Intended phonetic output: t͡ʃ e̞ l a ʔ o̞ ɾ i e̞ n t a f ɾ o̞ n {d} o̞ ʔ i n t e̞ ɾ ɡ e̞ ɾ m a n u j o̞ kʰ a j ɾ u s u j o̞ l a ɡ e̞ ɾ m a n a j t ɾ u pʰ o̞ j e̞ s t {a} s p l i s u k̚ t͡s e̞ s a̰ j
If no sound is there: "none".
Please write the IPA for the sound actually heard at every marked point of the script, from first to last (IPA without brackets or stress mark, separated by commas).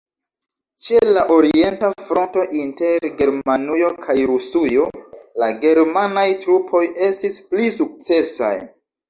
t, i